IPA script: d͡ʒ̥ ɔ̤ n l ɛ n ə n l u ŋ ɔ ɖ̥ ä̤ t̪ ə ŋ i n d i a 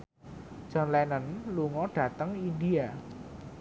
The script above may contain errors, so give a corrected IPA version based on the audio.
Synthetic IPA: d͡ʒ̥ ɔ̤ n l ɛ n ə n l u ŋ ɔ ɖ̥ ä̤ t̪ ə ŋ i n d i a